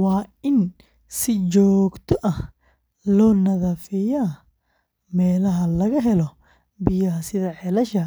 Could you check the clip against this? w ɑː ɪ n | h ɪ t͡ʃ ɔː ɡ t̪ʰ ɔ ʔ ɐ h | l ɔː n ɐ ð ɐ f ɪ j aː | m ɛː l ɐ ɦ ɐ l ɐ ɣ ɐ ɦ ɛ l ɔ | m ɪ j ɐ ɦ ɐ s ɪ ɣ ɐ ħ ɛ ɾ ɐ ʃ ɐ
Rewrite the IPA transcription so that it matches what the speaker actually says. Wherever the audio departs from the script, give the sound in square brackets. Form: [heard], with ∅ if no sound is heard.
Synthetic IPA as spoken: w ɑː ɪ n | [s] ɪ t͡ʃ ɔː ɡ t̪ʰ ɔ ʔ ɐ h | l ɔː n ɐ ð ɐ f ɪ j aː | m ɛː l ɐ ɦ ɐ l ɐ ɣ ɐ ɦ ɛ l ɔ | [b] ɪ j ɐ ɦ ɐ s ɪ [ð] ɐ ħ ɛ [l] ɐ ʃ ɐ